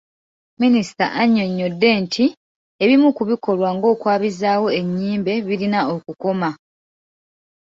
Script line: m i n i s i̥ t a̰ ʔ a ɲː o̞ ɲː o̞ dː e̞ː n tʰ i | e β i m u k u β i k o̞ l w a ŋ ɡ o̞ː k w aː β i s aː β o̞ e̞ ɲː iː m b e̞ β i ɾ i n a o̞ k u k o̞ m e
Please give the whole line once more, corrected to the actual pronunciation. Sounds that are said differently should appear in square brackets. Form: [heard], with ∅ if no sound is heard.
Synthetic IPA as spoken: m i n i s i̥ t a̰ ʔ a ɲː o̞ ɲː o̞ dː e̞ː n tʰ i | e β i m u k u β i k o̞ l w a ŋ ɡ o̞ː k w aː β i [z] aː [w] o̞ e̞ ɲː iː m b e̞ β i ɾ i n a o̞ k u k o̞ m [a]